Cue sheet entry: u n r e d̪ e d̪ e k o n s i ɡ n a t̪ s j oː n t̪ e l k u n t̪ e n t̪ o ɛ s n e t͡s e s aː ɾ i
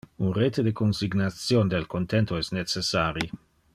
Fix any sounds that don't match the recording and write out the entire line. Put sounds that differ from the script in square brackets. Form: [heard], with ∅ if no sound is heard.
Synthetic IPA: u n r e [t̪] e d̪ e k o n s i ɡ n a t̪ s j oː n [d̪] e l k [o] n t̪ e n t̪ o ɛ s n e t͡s e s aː ɾ i